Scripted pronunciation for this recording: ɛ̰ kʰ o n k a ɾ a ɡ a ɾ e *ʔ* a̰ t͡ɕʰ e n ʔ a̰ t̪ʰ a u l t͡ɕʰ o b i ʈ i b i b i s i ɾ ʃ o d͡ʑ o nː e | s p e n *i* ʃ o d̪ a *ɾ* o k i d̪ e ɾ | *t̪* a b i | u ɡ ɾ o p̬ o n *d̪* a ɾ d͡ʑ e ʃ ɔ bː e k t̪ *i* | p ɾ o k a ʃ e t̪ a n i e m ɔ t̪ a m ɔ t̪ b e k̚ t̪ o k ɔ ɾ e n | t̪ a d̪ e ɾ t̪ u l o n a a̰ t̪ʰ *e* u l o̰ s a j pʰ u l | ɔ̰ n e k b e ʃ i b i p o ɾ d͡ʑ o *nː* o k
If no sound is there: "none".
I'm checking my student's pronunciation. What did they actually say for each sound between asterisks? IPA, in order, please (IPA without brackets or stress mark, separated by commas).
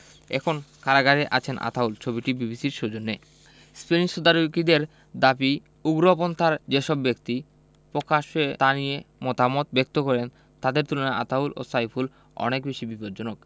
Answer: ʔ, i, ɾ, d̪, t̪, i, a, n